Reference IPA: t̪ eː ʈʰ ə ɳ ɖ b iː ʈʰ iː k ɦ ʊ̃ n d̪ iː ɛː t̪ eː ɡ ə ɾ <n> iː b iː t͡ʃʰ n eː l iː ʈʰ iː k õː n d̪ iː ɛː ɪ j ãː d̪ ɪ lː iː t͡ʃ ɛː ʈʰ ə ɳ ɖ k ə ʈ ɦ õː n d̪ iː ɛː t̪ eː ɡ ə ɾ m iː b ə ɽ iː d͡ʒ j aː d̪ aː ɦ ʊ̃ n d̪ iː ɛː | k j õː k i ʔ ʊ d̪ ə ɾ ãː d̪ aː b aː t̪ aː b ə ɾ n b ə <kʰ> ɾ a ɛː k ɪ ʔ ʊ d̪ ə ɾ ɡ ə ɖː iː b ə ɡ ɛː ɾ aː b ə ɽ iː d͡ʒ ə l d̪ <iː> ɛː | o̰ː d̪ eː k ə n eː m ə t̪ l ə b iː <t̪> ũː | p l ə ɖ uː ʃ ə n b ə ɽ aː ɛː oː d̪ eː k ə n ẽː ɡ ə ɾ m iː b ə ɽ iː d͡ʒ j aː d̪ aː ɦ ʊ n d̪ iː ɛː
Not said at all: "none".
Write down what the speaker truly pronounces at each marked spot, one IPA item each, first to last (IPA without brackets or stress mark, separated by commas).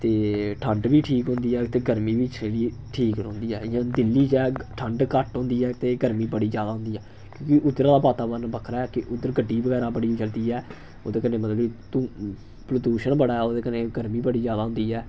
m, kʰ, iː, t̪